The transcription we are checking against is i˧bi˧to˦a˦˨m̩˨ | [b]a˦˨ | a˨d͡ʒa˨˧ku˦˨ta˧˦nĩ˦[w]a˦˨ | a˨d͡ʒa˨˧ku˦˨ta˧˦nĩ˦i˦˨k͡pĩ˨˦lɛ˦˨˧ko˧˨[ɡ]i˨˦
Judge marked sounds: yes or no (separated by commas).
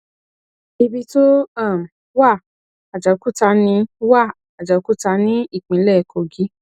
no, yes, yes